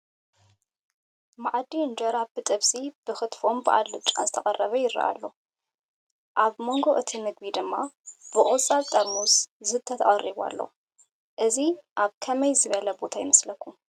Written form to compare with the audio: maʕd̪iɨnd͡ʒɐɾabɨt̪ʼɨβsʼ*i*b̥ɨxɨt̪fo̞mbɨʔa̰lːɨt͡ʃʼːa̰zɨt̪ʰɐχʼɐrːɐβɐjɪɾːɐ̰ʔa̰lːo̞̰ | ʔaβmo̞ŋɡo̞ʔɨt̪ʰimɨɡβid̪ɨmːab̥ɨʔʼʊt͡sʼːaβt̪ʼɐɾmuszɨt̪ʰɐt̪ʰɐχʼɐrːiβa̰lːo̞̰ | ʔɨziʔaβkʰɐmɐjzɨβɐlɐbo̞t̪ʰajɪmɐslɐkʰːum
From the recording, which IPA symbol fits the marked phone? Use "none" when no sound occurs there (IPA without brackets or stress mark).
i